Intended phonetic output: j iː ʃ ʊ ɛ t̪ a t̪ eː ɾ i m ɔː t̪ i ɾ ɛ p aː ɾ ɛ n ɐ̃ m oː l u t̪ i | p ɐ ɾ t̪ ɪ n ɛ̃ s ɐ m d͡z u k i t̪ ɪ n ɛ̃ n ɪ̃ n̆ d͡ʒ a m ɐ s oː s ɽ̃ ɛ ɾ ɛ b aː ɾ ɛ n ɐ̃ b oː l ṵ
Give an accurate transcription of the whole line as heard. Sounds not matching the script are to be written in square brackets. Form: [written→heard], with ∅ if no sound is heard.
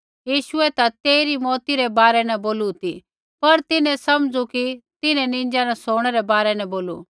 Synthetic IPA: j iː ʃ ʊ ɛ t̪ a t̪ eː ɾ i m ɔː t̪ i ɾ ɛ [p→b] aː ɾ ɛ n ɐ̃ [m→b] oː l u t̪ i | p ɐ ɾ t̪ ɪ n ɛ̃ s ɐ m d͡z u k i t̪ ɪ n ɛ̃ n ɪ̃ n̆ d͡ʒ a [m→n] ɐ s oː [s→∅] ɽ̃ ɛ ɾ ɛ b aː ɾ ɛ n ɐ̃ b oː l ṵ